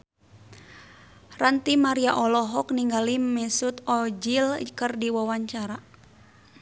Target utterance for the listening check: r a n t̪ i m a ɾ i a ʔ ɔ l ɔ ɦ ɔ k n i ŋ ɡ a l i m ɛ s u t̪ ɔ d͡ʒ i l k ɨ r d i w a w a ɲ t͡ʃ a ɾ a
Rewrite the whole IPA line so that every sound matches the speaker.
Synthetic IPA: r a n t̪ i m a ɾ i a ʔ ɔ l ɔ ɦ ɔ k n i ŋ ɡ a l i m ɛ s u t̪ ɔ d͡ʒ i l k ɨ r d i w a w a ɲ t͡ʃ a ɾ a